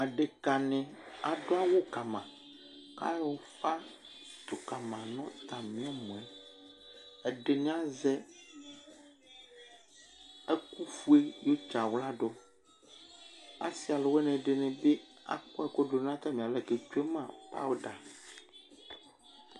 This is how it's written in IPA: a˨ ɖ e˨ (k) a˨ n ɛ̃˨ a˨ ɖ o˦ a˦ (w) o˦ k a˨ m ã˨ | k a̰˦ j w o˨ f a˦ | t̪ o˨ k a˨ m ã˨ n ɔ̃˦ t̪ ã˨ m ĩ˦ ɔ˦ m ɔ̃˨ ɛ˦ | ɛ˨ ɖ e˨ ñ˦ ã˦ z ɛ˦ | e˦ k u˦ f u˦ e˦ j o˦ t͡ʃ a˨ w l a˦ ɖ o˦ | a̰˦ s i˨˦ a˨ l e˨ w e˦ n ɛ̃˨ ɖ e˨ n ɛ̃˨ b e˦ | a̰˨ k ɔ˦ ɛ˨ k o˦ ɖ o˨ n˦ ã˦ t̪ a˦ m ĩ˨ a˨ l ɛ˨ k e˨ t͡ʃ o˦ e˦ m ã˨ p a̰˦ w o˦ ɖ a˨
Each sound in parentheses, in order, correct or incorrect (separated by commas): correct, correct